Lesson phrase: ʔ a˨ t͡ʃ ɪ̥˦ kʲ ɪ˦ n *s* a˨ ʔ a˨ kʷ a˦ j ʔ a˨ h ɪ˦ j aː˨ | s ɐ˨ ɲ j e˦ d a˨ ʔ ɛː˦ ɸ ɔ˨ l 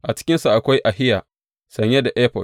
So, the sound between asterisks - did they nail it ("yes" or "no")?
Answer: yes